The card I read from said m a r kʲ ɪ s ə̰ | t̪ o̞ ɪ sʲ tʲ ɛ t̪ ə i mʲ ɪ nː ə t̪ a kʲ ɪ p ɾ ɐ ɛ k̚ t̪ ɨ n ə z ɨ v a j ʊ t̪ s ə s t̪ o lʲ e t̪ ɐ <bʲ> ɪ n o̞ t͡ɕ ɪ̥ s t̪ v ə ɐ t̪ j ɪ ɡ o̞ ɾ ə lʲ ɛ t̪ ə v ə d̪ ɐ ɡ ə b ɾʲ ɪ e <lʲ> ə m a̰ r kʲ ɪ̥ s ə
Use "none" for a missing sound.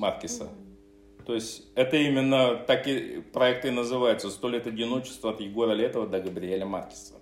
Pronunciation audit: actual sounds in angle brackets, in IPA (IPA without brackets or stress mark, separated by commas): dʲ, lʲ